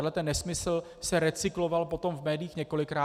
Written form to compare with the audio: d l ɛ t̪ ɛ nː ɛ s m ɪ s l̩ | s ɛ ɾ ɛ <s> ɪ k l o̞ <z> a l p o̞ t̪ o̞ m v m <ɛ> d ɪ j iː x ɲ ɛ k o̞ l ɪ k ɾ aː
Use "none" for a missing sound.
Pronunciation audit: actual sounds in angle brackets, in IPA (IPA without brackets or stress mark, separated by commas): t͡s, v, ɛː